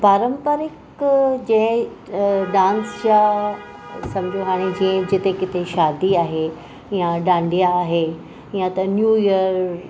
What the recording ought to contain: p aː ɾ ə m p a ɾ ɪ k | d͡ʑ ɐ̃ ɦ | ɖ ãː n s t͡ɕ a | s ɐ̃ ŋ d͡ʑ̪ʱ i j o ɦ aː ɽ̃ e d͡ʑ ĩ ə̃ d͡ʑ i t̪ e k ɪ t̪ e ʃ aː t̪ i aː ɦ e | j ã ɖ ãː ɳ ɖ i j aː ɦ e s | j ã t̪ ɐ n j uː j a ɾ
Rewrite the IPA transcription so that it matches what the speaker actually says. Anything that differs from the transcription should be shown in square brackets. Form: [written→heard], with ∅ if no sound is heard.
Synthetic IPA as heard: p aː ɾ ə m p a ɾ ɪ k | d͡ʑ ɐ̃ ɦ | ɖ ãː n s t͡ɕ a | s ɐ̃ [ŋ→m] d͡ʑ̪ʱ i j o ɦ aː ɽ̃ e d͡ʑ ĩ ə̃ d͡ʑ [i→ɪ] t̪ e k ɪ t̪ e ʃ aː [t̪→d̪] i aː ɦ e | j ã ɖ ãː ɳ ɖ i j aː ɦ e [s→∅] | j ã t̪ ɐ n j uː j [a→ə] ɾ

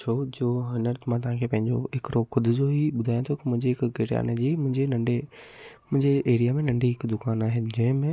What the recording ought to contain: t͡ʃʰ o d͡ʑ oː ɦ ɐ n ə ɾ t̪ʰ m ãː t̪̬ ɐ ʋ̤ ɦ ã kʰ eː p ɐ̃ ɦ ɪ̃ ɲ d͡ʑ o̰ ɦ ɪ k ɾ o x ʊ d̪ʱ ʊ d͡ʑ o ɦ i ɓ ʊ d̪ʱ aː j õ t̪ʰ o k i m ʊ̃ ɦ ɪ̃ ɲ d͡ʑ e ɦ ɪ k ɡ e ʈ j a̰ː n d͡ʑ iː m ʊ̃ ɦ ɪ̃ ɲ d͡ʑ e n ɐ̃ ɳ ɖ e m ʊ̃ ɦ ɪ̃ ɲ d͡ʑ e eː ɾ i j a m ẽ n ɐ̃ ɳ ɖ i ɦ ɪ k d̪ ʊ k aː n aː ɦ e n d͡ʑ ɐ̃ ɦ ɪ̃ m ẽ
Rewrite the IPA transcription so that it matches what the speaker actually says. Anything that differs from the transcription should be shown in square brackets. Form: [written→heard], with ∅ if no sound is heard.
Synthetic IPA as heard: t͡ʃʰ o d͡ʑ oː ɦ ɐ n ə ɾ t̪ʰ m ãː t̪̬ ɐ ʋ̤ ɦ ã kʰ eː p ɐ̃ ɦ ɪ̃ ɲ d͡ʑ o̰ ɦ ɪ k ɾ o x ʊ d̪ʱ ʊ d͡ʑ o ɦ i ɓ ʊ d̪ʱ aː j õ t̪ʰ o k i m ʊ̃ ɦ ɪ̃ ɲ d͡ʑ e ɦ ɪ k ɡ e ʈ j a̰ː n d͡ʑ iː m ʊ̃ ɦ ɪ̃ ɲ d͡ʑ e n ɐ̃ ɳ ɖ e m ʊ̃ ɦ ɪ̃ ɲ d͡ʑ e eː ɾ i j a m ẽ n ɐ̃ ɳ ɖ i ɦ ɪ k d̪ ʊ k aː n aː ɦ e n d͡ʑ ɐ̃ ɦ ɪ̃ m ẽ

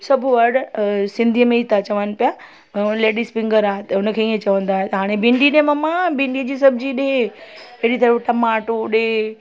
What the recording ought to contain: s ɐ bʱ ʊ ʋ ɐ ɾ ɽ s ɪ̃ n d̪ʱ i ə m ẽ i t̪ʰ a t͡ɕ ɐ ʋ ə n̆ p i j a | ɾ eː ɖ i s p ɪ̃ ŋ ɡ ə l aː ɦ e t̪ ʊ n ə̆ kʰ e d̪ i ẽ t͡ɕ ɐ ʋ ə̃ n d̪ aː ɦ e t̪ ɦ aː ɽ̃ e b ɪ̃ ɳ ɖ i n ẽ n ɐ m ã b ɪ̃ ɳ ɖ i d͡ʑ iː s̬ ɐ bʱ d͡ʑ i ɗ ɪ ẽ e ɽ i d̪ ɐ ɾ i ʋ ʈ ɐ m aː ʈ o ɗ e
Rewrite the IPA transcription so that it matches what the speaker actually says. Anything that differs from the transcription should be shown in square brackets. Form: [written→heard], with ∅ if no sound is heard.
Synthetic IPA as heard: s ɐ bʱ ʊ ʋ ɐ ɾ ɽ s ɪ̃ n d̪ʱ i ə m ẽ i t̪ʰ a t͡ɕ ɐ ʋ ə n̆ p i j a | [ɾ→l] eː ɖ i s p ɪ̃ ŋ ɡ ə [l→ɾ] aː ɦ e t̪ ʊ n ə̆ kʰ e [d̪→∅] i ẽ t͡ɕ ɐ ʋ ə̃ n d̪ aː ɦ e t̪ ɦ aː ɽ̃ e b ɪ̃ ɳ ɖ i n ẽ [n→m] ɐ m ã b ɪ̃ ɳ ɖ i d͡ʑ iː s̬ ɐ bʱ d͡ʑ i ɗ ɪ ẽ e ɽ i [d̪→t̪] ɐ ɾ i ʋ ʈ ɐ m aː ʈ o ɗ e

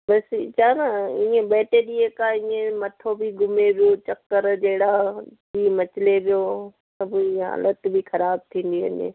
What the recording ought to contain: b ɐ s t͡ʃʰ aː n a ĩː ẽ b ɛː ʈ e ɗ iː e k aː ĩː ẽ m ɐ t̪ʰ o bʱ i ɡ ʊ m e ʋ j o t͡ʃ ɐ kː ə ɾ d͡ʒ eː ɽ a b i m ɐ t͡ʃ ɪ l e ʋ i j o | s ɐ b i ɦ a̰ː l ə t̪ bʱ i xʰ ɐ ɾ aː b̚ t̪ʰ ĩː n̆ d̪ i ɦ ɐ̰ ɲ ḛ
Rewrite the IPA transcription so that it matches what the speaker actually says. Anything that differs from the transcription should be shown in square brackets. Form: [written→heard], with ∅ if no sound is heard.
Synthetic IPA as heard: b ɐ s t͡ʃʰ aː n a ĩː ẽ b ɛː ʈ e ɗ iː e k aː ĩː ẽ m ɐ t̪ʰ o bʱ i ɡ ʊ m e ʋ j o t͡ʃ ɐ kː ə ɾ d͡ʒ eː ɽ a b i m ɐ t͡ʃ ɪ l e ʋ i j o | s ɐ b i ɦ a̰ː l ə t̪ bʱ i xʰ ɐ ɾ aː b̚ t̪ʰ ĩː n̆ d̪ i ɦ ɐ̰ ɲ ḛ

